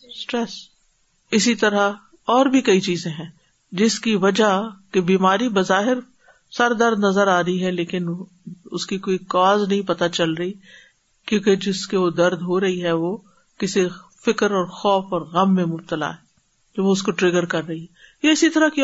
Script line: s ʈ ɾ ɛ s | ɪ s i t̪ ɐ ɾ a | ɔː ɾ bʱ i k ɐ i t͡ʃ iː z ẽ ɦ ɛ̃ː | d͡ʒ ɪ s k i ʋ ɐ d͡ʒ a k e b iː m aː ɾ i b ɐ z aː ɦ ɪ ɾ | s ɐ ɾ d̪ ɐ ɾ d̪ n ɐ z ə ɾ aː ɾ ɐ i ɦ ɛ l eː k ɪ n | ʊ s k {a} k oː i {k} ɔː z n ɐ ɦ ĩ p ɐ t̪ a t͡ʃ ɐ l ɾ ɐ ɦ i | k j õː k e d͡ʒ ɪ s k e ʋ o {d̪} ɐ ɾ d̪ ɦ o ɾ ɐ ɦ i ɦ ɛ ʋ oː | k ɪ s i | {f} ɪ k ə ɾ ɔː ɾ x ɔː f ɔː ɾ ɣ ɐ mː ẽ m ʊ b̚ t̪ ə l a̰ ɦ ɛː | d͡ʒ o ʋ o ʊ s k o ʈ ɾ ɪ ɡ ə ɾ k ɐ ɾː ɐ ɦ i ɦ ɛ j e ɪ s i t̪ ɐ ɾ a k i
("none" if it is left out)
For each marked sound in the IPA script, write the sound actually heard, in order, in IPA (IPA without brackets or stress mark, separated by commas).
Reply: i, k, d̪, f